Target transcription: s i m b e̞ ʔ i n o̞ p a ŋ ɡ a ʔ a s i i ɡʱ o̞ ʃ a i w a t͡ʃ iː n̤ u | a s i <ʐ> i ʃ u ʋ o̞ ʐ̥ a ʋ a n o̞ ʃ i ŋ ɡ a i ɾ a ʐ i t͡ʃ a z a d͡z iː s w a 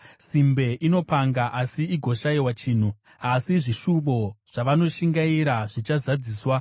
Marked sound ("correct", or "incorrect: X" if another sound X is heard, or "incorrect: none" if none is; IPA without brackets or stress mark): correct